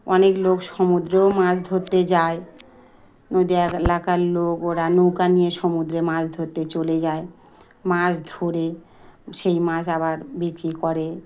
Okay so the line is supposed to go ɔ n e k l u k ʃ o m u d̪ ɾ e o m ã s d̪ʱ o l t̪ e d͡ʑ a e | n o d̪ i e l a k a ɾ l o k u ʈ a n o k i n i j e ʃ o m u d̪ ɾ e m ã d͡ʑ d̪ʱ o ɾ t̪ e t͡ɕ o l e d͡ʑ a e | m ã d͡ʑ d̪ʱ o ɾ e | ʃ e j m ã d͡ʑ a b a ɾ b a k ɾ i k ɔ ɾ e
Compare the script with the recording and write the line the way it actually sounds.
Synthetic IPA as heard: ɔ n e k l o k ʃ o m u d̪ ɾ e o m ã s d̪ʱ o ɾ t̪ e d͡ʑ a e | n o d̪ i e l a k a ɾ l o k o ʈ a n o k a n i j e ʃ o m u d̪ ɾ e m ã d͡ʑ d̪ʱ o ɾ t̪ e t͡ɕ o l e d͡ʑ a e | m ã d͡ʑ d̪ʱ o ɾ e | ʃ e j m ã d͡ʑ a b a ɾ b i k ɾ i k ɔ ɾ e